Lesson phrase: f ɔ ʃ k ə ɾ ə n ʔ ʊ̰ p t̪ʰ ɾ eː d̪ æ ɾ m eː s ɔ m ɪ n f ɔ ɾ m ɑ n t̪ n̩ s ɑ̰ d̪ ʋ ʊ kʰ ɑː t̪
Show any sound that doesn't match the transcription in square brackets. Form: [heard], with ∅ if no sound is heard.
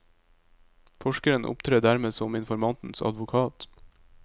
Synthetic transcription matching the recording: f ɔ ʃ k ə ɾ ə n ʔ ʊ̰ p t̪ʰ ɾ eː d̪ æ ɾ m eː s ɔ m ɪ n f ɔ ɾ m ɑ n t̪ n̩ s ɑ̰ d̪ ʋ ʊ kʰ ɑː t̪